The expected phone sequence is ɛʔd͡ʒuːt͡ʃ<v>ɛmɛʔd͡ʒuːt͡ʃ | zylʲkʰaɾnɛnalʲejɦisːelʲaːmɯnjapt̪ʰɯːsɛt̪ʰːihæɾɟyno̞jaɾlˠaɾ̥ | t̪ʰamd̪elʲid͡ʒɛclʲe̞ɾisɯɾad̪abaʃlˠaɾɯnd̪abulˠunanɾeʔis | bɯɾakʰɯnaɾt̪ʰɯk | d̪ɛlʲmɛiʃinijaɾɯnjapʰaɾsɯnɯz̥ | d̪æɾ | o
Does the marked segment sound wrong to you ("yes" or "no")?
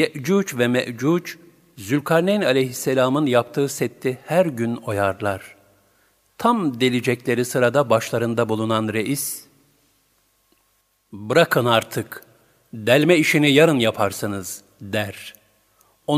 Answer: no